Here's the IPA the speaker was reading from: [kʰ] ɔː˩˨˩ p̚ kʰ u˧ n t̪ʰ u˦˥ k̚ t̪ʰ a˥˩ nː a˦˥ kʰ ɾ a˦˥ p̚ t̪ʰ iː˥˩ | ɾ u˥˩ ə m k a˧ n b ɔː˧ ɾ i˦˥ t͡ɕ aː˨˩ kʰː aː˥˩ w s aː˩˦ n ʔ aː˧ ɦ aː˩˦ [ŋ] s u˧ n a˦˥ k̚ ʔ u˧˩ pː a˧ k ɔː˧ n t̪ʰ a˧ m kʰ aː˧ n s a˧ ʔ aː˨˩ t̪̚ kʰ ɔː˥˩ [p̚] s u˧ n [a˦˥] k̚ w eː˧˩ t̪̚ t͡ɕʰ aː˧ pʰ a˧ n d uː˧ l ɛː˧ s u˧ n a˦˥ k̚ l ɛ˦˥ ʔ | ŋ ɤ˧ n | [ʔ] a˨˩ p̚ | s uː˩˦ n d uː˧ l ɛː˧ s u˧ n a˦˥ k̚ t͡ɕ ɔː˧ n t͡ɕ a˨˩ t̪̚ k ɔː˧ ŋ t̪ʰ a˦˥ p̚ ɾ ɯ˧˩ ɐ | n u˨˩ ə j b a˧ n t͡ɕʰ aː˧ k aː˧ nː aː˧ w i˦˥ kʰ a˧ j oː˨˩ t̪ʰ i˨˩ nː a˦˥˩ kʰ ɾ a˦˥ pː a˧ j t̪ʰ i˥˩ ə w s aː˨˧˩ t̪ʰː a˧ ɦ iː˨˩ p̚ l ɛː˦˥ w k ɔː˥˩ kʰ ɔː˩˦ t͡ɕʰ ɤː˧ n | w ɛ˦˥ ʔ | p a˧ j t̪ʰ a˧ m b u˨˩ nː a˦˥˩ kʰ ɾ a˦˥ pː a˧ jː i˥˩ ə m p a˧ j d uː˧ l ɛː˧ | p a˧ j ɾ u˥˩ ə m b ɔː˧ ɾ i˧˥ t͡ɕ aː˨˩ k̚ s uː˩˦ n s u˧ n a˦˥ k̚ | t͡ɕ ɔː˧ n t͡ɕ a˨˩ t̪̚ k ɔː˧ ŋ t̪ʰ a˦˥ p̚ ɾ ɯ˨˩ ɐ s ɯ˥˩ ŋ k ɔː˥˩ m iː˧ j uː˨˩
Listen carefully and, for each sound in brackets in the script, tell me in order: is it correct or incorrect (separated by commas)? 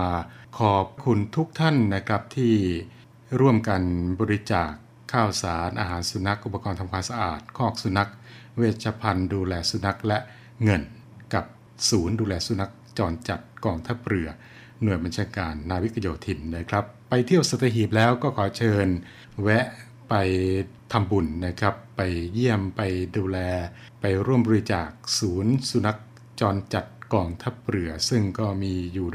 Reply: correct, incorrect, incorrect, correct, incorrect